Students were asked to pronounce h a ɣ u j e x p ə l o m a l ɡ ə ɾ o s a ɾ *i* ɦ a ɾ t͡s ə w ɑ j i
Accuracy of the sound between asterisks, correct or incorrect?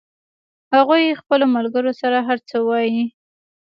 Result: incorrect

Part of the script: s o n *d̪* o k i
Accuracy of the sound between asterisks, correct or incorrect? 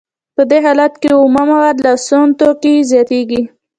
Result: incorrect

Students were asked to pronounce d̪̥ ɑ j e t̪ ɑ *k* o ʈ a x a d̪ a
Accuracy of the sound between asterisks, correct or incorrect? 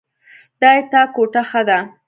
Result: correct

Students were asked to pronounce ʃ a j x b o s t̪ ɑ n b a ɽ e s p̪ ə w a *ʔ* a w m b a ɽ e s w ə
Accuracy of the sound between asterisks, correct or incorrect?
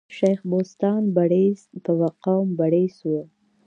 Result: incorrect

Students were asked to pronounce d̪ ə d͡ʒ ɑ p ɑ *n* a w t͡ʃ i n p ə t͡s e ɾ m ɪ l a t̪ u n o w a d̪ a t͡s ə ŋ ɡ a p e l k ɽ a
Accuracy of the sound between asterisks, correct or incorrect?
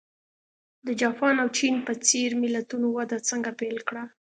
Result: correct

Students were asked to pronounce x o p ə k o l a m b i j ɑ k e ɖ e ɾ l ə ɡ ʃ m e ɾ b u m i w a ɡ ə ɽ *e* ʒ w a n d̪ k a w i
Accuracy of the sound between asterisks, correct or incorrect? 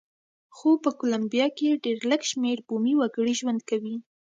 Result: incorrect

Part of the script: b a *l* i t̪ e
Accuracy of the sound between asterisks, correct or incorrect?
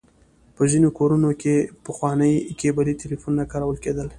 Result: correct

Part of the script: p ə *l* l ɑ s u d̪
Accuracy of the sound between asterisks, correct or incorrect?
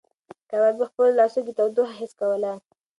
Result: correct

